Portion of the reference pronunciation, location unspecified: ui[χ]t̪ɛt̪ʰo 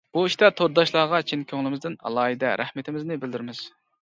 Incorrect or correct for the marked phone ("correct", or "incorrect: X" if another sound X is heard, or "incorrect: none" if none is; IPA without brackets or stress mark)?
incorrect: ʃ